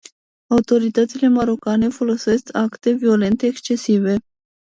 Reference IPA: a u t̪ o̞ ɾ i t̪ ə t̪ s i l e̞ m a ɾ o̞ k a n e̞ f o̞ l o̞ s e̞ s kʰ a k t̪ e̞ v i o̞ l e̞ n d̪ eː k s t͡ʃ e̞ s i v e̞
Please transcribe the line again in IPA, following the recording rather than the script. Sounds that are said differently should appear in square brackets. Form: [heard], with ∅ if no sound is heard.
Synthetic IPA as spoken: a u t̪ o̞ ɾ i t̪ ə t̪ s i l e̞ m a ɾ o̞ k a n e̞ f o̞ l o̞ s e̞ s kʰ a k t̪ e̞ v i o̞ l e̞ n [t̪] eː k s t͡ʃ e̞ s i v e̞

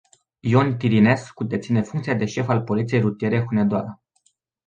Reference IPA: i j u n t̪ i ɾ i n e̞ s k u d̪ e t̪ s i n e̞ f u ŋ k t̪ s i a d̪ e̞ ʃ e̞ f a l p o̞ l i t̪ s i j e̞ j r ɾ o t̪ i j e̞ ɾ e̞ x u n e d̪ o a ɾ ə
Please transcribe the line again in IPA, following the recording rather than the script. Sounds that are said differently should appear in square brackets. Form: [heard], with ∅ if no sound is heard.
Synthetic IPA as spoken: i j [o] n t̪ i ɾ i n e̞ s k u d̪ e t̪ s i n e̞ f u ŋ k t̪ s i a d̪ e̞ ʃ e̞ f a l p o̞ l i t̪ s i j e̞ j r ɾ [u] t̪ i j e̞ ɾ e̞ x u n e d̪ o a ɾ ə

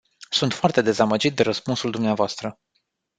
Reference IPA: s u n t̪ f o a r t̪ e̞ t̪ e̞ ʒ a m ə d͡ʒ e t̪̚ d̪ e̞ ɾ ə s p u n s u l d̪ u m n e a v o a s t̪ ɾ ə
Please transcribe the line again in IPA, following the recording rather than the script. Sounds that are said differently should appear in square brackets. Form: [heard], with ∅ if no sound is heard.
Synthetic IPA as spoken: s u n t̪ f o a r t̪ e̞ [d̪] e̞ [z] a m ə d͡ʒ [i] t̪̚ d̪ e̞ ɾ ə s p u n s u l d̪ u m n e a v o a s t̪ ɾ ə

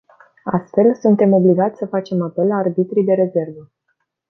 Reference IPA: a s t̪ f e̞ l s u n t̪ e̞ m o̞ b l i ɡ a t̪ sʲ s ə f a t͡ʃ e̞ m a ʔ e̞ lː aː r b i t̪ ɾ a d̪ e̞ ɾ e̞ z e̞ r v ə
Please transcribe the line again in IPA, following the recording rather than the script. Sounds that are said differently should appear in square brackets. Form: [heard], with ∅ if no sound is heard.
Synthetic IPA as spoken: a s t̪ f e̞ l s u n t̪ e̞ m o̞ b l i ɡ a t̪ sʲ s ə f a t͡ʃ e̞ m a [p] e̞ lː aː r b i t̪ ɾ [i] d̪ e̞ ɾ e̞ z e̞ r v ə

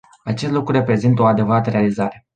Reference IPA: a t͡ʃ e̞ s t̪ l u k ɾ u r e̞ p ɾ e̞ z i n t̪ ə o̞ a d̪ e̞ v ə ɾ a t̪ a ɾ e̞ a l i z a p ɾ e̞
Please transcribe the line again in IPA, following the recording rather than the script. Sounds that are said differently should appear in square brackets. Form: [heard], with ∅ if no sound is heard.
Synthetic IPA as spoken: a t͡ʃ e̞ s t̪ l u k ɾ u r e̞ p ɾ e̞ z i n t̪ ə o̞ a d̪ e̞ v ə ɾ a t̪ [ə] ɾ e̞ a l i z a [∅] ɾ e̞

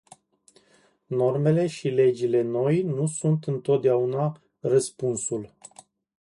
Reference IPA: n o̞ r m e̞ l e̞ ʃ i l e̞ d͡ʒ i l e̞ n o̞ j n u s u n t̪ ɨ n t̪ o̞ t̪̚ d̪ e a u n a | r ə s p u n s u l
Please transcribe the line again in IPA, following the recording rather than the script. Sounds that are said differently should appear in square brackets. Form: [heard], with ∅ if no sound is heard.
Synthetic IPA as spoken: n o̞ r m e̞ l e̞ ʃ i l e̞ d͡ʒ i l e̞ n o̞ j n u s u n t̪ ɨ n t̪ o̞ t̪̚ d̪ e a u n a | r ə s p u n s u l

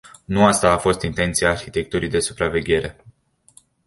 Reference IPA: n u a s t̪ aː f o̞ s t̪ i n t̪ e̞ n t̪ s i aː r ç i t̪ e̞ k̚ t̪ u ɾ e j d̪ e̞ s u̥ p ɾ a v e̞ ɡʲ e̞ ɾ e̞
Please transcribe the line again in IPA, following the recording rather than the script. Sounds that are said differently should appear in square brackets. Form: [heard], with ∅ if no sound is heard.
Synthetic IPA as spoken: n u a s t̪ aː f o̞ s t̪ i n t̪ e̞ n t̪ s i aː r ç i t̪ e̞ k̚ t̪ u ɾ [i] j d̪ e̞ s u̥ p ɾ a v e̞ ɡʲ e̞ ɾ e̞

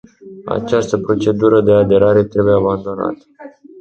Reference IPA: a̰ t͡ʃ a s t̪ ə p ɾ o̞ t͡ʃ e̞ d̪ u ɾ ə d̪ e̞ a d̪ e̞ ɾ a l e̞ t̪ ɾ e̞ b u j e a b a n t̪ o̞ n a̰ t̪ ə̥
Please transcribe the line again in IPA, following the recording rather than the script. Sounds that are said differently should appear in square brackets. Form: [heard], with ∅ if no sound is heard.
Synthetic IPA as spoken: a̰ t͡ʃ a s t̪ ə p ɾ o̞ t͡ʃ e̞ d̪ u ɾ ə d̪ e̞ a d̪ e̞ ɾ a [ɾ] e̞ t̪ ɾ e̞ b u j e a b a n [d̪] o̞ n a̰ t̪ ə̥

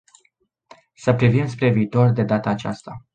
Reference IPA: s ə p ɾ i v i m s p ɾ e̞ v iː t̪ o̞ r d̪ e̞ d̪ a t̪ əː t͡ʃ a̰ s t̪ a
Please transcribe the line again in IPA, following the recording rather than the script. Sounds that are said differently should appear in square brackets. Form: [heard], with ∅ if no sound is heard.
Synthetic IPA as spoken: s ə p ɾ i v i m s p ɾ e̞ v iː t̪ o̞ r d̪ e̞ d̪ a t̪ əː t͡ʃ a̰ s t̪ a

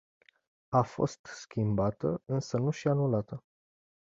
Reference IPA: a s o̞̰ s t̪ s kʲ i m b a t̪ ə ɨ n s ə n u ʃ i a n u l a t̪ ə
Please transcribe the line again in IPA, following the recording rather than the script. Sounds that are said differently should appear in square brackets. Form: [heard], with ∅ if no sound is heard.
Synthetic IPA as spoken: a [f] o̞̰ s t̪ s kʲ i m b a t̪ ə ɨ n s ə n u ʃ i a n u l a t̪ ə

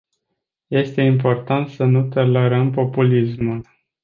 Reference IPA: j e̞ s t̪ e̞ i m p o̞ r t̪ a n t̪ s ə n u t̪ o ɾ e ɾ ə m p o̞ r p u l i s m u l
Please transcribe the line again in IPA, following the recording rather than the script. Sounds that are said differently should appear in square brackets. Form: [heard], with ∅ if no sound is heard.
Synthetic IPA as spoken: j e̞ s t̪ e̞ i m p o̞ r t̪ a n t̪ s ə n u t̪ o [l] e ɾ ə m p o̞ [∅] p u l i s m u l

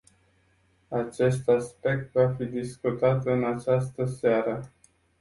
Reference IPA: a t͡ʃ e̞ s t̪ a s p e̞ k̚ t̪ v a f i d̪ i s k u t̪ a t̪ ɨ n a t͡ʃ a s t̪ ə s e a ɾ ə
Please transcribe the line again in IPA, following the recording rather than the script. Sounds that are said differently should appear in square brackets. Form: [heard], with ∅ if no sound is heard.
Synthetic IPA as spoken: a t͡ʃ e̞ s t̪ a s p e̞ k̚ t̪ v a f i d̪ i s k u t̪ a t̪ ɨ n a t͡ʃ a s t̪ ə s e a ɾ ə

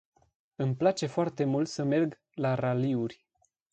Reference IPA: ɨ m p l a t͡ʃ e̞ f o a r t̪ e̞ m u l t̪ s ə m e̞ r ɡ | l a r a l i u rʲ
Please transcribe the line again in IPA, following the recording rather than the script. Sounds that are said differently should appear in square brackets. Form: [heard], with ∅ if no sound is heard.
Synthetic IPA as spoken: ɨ m p l a t͡ʃ e̞ f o a r t̪ e̞ m u l t̪ s ə m e̞ r ɡ | l a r a l i u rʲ

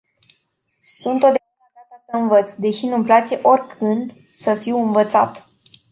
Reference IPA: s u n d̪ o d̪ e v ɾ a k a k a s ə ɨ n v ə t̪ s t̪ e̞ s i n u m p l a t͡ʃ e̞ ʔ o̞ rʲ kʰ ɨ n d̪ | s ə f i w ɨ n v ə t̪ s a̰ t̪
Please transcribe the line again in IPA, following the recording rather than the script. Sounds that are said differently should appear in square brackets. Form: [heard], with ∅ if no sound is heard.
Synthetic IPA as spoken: s u n [t̪] o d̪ e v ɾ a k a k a s ə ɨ n v ə t̪ s [d̪] e̞ [ʃ] i n u m p l a t͡ʃ e̞ ʔ o̞ rʲ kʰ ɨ n d̪ | s ə f i w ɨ n v ə t̪ s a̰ t̪

